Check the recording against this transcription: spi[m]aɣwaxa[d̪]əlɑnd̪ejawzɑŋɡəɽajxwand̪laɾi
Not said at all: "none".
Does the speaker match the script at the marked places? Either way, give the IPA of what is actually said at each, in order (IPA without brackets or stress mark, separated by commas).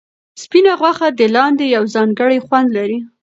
n, d̪